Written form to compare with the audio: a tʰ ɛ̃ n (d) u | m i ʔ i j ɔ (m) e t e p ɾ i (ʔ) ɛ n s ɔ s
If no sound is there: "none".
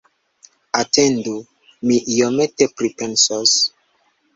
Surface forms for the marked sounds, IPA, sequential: d, m, p

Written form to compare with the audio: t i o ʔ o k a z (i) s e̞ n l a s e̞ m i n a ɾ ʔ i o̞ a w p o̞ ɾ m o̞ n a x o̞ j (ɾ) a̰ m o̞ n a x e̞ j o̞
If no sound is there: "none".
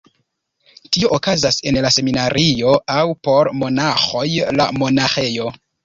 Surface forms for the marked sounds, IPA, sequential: a, l

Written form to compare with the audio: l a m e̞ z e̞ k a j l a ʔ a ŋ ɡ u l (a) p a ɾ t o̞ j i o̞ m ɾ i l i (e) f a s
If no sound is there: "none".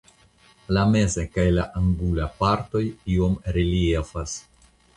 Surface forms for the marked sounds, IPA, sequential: a, e

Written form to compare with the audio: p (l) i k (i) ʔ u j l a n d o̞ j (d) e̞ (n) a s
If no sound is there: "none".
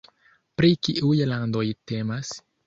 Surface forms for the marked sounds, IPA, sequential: ɾ, i, t, m

